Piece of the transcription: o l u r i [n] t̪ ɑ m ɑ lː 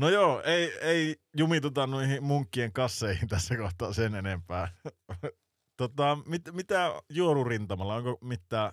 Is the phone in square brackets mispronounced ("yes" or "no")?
no